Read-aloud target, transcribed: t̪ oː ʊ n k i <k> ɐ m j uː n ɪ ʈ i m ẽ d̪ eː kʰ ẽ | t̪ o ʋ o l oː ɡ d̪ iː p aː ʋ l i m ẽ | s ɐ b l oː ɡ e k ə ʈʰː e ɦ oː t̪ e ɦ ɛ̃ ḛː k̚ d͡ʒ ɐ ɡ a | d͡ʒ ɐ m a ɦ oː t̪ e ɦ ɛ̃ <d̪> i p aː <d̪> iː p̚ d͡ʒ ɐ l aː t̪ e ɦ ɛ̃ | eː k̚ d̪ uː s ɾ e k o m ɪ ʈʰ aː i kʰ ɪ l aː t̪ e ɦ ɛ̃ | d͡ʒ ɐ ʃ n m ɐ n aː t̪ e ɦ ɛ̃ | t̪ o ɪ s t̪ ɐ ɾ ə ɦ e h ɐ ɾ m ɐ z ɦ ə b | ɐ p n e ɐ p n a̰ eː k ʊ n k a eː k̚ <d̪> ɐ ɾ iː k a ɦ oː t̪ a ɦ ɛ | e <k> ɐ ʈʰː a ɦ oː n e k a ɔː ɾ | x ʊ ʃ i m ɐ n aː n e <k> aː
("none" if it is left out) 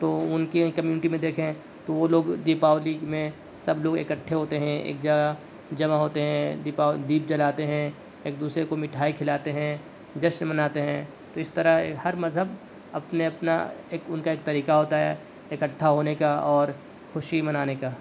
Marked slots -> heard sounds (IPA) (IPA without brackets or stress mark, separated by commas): k, d̪, d̪, t̪, k, k